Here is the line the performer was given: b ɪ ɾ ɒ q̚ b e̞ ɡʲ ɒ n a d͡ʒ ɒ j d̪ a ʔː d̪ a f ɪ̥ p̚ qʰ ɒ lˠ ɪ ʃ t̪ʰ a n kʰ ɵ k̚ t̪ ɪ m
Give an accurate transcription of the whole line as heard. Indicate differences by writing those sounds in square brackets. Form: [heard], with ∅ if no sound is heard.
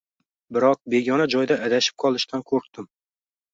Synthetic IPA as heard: b ɪ ɾ ɒ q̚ b e̞ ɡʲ ɒ n a d͡ʒ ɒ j d̪ a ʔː d̪ a [ʃ] ɪ̥ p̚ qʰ ɒ lˠ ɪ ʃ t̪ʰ a n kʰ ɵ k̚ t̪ ɪ m